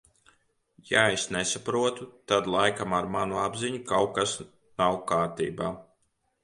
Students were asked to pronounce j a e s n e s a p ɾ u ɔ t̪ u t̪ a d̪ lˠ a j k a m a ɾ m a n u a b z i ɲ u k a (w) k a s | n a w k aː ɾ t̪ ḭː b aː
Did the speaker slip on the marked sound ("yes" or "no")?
no